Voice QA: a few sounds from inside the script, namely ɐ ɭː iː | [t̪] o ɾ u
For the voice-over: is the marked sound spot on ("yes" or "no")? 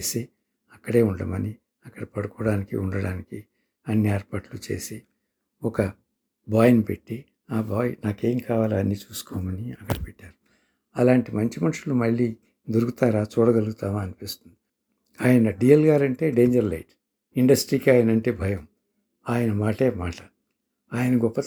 no